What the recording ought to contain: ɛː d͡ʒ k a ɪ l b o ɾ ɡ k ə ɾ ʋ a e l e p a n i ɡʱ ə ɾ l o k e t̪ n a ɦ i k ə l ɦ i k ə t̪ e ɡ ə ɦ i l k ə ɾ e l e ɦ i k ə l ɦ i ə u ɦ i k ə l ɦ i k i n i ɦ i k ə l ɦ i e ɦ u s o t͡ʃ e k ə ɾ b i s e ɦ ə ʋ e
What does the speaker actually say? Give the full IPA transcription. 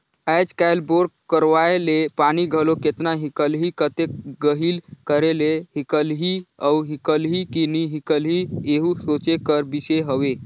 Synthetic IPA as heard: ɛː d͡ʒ k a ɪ l b o ɾ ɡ k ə ɾ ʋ a e l e p a n i ɡʱ ə l o k e t̪ n a ɦ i k ə l ɦ i k ə t̪ e ɡ ə ɦ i l k ə ɾ e l e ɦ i k ə l ɦ i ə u ɦ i k ə l ɦ i k i n i ɦ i k ə l ɦ i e ɦ u s o t͡ʃ e k ə ɾ b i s e ɦ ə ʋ e